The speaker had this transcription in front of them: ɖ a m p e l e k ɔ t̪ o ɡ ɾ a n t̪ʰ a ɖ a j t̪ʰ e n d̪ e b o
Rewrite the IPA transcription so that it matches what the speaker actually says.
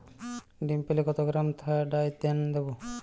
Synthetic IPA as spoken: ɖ i m p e l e k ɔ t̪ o ɡ ɾ a m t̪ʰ a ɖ a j t̪ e n d̪ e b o